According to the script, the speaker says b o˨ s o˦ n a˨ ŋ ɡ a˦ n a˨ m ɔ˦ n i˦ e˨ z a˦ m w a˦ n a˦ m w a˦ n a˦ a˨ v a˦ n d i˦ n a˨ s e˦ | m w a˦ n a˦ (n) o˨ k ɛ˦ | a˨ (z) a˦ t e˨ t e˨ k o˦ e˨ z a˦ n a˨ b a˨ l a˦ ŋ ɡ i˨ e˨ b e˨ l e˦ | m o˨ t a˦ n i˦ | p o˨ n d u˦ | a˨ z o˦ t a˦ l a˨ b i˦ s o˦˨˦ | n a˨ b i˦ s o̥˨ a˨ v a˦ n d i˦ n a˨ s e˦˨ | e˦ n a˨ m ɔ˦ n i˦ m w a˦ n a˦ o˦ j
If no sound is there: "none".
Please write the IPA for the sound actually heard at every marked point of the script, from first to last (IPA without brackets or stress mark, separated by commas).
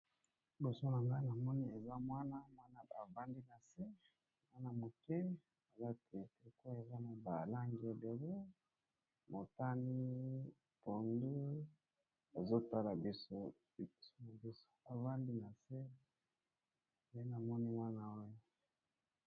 m, z